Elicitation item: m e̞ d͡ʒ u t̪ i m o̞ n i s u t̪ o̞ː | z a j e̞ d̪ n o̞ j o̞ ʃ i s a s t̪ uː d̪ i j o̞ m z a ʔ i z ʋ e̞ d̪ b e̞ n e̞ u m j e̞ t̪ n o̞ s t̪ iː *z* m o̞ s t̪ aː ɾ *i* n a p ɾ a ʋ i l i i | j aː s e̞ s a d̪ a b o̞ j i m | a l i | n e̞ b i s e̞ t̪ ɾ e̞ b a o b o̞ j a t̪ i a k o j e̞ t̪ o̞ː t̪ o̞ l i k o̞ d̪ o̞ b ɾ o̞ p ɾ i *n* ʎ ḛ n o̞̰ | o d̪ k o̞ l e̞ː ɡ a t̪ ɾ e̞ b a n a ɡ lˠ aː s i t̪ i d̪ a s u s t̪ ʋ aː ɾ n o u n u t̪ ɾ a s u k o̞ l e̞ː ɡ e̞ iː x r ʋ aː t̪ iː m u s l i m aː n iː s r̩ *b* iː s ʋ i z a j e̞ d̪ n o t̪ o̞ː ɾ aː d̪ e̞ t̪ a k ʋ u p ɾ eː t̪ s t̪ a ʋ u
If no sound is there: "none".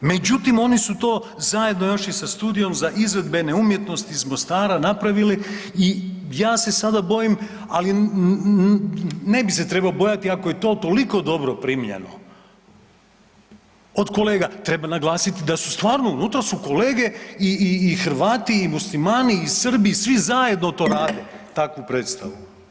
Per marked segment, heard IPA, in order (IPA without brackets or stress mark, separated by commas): z, a, m, b